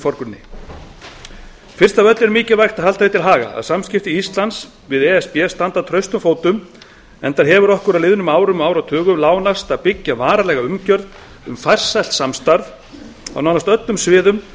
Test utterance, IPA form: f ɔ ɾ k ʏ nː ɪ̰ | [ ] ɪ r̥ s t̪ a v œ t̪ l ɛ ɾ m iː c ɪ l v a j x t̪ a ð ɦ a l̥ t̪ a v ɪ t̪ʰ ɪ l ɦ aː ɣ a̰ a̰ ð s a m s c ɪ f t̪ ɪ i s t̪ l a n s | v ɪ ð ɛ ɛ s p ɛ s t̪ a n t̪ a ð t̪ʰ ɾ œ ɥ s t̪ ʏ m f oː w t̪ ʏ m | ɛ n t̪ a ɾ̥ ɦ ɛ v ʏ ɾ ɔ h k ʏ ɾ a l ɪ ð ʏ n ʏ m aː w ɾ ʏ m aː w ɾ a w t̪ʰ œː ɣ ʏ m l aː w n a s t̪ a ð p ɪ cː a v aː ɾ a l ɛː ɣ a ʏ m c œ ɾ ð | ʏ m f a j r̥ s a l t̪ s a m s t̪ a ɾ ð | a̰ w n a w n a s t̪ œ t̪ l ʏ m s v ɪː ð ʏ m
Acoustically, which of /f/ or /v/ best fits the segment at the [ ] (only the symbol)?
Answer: f